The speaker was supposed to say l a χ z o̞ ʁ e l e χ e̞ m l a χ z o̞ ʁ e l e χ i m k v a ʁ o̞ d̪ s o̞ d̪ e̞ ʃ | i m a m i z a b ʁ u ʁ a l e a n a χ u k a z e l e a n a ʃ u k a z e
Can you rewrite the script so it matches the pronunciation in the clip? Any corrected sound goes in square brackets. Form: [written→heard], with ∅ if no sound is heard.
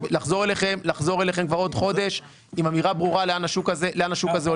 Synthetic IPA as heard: l a χ z o̞ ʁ e l e χ e̞ m l a χ z o̞ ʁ e l e χ [i→e] m k v a ʁ o̞ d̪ [s→χ] o̞ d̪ e̞ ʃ | i m a m i [z→ʁ] a b ʁ u ʁ a l e a n a [χ→ʃ] u k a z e l e a n a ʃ u k a z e

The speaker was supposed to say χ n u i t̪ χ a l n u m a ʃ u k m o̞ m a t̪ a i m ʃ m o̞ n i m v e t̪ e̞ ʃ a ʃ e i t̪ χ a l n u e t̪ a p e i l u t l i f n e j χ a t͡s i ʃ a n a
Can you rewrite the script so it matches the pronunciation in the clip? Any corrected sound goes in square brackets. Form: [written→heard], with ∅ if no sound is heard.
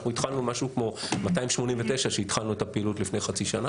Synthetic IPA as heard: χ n u i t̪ χ a l n u m a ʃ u k m o̞ m a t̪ a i m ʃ m o̞ n i m v e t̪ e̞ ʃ a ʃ e i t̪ χ a l n u e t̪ a p e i l u t l i f n e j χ a t͡s i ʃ a n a

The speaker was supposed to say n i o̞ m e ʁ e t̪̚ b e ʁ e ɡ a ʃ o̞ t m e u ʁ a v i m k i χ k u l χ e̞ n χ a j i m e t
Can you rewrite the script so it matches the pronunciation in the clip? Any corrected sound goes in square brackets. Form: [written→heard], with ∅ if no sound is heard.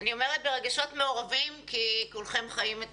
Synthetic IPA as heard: n i o̞ m e ʁ e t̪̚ b e ʁ e ɡ a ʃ o̞ t m e [u→o] ʁ a v i m k i [χ→∅] k u l χ e̞ [n→m] χ a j i m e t

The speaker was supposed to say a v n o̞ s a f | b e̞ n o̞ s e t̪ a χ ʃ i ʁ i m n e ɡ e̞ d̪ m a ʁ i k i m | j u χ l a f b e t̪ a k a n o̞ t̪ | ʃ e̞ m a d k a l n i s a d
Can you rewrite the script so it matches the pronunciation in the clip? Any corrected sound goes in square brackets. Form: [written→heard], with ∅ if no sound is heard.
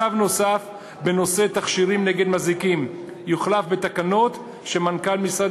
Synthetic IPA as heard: a v n o̞ s a f | b e̞ n o̞ s e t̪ a χ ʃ i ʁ i m n e ɡ e̞ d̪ m a [ʁ→z] i k i m | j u χ l a f b e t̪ a k a n o̞ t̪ | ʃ e̞ m a [d→n] k a l [n→m] i s a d

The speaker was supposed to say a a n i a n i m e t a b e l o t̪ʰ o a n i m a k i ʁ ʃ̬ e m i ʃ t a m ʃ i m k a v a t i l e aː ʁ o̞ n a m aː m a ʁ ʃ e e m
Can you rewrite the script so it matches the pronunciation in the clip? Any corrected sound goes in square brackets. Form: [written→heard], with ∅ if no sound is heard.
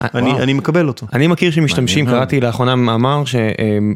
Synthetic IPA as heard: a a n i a n i m e [t→k] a b e l o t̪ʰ o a n i m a k i ʁ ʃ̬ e m i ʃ t a m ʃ i m k a [v→ʁ] a t i l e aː [ʁ→χ] o̞ n a m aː m a ʁ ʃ e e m

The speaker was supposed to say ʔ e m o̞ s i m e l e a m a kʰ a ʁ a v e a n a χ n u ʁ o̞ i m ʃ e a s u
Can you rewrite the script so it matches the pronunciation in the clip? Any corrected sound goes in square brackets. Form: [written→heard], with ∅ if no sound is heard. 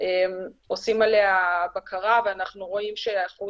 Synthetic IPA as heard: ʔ e m o̞ s i m [e→a] l e a [m→b] a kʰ a ʁ a v e a n a χ n u ʁ o̞ i m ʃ e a [s→χ] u

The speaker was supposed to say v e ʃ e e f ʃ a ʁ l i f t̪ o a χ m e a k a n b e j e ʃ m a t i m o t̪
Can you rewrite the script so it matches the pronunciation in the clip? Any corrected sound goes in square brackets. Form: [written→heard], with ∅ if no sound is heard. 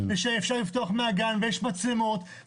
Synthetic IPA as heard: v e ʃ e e f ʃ a ʁ l i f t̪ o a χ m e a [k→ɡ] a n [b→v] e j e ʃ m a [t→t͡s] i m o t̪

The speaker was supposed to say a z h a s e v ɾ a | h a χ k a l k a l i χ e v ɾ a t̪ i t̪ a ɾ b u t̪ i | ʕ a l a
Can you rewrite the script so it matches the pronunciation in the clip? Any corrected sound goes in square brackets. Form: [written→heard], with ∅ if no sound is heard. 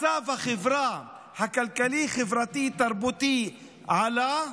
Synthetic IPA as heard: a [z→v] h a [s→χ] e v ɾ a | h a [χ→∅] k a l k a l i χ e v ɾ a t̪ i t̪ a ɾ b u t̪ i | ʕ a l a

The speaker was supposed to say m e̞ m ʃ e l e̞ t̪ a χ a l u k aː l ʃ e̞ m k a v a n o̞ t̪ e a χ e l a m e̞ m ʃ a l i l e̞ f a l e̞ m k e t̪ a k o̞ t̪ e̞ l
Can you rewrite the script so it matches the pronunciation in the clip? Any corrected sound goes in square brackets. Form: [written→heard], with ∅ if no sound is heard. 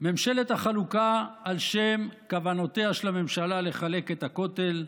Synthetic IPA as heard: m e̞ m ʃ e l e̞ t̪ a χ a l u k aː l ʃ e̞ m k a v a n o̞ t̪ e a [χ→ʃ] e l a m e̞ m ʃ a l [i→a] l e̞ [f→χ] a l e̞ [m→∅] k e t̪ a k o̞ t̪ e̞ l

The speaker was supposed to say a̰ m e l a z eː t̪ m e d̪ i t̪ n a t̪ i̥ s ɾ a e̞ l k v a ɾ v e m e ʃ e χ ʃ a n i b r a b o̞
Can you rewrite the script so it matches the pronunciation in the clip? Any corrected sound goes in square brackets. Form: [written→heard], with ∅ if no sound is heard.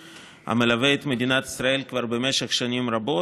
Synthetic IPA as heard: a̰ m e l a [z→v] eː t̪ m e d̪ i [t̪→∅] n a t̪ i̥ s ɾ a e̞ l k v a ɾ [v→b] e m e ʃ e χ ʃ a n i [b→m] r a b o̞

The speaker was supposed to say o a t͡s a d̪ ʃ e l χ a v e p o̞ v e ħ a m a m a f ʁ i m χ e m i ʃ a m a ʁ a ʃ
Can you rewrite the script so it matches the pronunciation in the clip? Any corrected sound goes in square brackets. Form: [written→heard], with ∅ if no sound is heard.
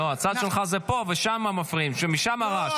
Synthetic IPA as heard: o a t͡s a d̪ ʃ e l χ a [v→z] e p o̞ v e [ħ→ʃ] a m a m a f ʁ i m [χ→ʃ] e m i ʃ a m a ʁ a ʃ

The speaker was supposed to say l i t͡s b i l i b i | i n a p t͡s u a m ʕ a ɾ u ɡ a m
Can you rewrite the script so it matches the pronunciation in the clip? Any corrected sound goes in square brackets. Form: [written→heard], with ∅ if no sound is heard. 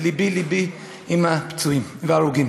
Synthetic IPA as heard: l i [t͡s→∅] b i l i b i | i [n→m] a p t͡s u [a→i] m [ʕ→v] a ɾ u ɡ [a→i] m

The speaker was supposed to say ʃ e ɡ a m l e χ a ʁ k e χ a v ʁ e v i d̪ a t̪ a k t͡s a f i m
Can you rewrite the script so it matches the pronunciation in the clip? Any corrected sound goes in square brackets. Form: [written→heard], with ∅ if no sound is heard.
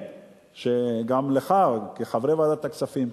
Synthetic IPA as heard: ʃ e ɡ a m l e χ a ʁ k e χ a v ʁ e v [i→a] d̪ a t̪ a k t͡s a f i m

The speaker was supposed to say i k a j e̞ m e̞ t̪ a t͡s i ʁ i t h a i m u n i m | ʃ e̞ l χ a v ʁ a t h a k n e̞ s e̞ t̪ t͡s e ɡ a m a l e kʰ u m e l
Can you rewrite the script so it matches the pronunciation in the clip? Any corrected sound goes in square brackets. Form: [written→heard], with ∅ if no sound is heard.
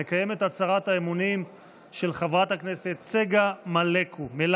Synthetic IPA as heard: [i→e] k a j e̞ m e̞ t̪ a t͡s [i→a] ʁ [i→a] t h a [i→e] m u n i m | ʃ e̞ l χ a v ʁ a t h a k n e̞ s e̞ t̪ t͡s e ɡ a m a l e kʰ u m e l

